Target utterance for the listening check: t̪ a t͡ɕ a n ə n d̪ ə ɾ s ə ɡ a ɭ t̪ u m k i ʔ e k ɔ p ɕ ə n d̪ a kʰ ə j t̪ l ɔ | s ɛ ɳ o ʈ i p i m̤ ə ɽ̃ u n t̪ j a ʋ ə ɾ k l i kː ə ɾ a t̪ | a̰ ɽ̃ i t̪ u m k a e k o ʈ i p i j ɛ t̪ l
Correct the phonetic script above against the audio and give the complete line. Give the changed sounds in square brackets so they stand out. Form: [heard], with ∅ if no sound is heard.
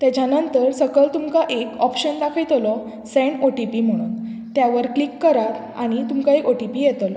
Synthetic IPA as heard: t̪ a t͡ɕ a n ə n [t̪] ə ɾ s ə ɡ [ə] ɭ t̪ u m k [a] ʔ e k ɔ p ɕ ə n d̪ a kʰ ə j t̪ l ɔ | s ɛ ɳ o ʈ i p i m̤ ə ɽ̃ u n t̪ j a ʋ ə ɾ k l i kː ə ɾ a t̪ | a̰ ɽ̃ i t̪ u m k a e k o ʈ i p i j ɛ t̪ l